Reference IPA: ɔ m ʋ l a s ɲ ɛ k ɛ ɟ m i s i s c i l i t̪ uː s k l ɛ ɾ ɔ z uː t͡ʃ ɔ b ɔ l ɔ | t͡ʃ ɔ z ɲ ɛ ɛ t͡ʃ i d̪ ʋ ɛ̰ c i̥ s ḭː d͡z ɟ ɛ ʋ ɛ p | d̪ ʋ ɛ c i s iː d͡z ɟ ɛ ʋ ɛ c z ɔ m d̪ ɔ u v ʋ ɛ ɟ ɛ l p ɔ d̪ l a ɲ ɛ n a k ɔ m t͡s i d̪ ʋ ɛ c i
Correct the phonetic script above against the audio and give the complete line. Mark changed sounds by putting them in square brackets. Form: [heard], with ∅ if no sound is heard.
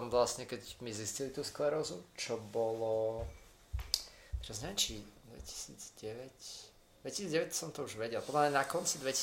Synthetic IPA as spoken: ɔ m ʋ l a s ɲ ɛ k ɛ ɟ m i [z] i s c i l i t̪ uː s k l ɛ ɾ ɔ z [u] t͡ʃ ɔ b ɔ l ɔ | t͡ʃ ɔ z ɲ ɛ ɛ t͡ʃ i d̪ ʋ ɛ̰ c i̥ s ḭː d͡z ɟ ɛ ʋ ɛ [c] | d̪ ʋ ɛ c i s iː d͡z ɟ ɛ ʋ ɛ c [s] ɔ m [t̪] ɔ u [ʒ] ʋ ɛ ɟ ɛ l p ɔ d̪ l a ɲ ɛ n a k ɔ [n] t͡s i d̪ ʋ ɛ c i